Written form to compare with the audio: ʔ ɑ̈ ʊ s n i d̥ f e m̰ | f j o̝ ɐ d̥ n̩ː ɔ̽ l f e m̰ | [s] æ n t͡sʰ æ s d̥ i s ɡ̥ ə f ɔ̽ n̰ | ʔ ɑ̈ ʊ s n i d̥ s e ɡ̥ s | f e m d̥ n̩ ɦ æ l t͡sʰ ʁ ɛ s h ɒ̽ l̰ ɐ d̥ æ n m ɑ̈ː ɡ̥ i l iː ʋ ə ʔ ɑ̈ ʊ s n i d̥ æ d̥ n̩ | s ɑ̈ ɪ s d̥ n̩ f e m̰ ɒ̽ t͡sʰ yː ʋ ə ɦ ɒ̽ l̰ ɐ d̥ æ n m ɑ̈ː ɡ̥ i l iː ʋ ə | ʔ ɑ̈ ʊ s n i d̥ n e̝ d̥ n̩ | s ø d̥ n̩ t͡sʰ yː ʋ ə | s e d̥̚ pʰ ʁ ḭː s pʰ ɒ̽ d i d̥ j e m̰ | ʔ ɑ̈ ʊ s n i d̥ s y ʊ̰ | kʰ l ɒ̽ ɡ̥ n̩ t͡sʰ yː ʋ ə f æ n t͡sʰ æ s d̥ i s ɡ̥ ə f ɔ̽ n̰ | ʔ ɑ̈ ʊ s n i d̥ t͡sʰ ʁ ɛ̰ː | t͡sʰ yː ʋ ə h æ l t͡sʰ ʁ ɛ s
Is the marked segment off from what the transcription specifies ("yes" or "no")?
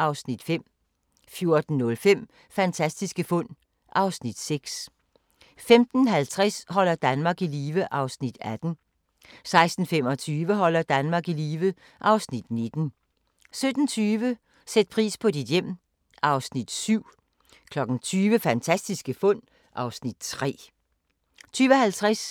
yes